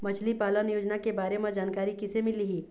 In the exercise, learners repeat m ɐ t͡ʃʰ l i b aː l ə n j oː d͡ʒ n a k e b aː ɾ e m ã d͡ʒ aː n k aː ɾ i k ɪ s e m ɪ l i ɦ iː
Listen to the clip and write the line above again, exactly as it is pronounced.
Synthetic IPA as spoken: m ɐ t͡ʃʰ l i p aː l ə n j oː d͡ʒ n a k e b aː ɾ e m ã d͡ʒ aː n k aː ɾ i k ɪ s e m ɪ l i ɦ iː